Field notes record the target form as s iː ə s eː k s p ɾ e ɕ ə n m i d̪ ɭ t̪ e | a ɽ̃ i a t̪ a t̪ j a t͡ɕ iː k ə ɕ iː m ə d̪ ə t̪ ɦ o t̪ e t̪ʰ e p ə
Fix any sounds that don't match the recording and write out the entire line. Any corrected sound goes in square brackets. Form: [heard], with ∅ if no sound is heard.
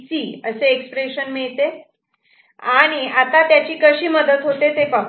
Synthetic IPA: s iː ə s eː k s p ɾ e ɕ ə n m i [∅] ɭ t̪ e | a ɽ̃ i a t̪ a t̪ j a t͡ɕ iː k ə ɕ iː m ə d̪ ə t̪ ɦ o t̪ e [t̪] e p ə